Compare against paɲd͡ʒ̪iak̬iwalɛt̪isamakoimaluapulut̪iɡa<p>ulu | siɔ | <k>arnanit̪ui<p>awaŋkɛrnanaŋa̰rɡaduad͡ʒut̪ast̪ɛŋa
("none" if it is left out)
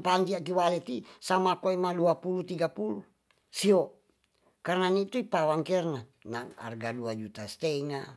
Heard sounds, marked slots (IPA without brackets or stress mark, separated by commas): p, k, p